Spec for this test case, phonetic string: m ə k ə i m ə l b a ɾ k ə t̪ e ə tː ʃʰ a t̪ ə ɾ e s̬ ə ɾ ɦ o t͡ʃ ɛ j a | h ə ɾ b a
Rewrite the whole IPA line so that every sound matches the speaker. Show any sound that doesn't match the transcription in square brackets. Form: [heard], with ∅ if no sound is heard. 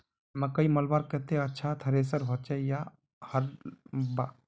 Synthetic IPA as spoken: m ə k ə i m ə l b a ɾ k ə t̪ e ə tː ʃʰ a [t̪ʰ] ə ɾ e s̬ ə ɾ ɦ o t͡ʃ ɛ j a | h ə ɾ b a